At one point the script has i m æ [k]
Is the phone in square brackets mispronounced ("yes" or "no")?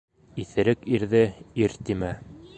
yes